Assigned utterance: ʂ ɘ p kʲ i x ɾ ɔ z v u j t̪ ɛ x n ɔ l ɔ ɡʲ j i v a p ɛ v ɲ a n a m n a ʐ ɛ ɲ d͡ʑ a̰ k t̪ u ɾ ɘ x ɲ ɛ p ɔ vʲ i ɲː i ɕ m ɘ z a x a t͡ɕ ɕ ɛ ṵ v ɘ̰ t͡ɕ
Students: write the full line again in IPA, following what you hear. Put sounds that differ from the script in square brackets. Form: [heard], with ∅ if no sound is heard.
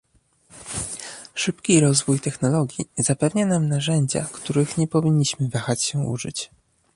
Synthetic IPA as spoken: ʂ ɘ p kʲ i [∅] ɾ ɔ z v u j t̪ ɛ x n ɔ l ɔ ɡʲ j i [z] a p ɛ v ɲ a n a m n a ʐ ɛ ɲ d͡ʑ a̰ k t̪ u ɾ ɘ x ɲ ɛ p ɔ vʲ i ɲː i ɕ m ɘ [v] a x a t͡ɕ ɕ ɛ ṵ [ʐ] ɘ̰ t͡ɕ